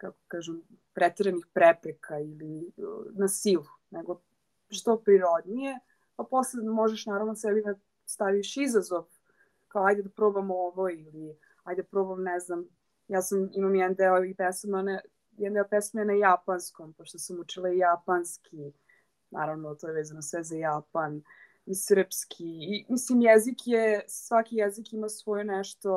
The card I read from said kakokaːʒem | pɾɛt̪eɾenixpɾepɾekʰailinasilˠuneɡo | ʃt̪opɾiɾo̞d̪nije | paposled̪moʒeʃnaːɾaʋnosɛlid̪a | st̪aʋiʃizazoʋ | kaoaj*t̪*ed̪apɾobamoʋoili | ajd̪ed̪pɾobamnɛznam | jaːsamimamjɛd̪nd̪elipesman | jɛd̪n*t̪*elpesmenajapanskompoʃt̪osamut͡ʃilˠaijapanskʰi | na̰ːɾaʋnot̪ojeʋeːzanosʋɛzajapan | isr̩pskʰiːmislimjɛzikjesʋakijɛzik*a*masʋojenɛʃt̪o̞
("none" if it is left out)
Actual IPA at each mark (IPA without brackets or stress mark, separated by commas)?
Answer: d̪, d̪, i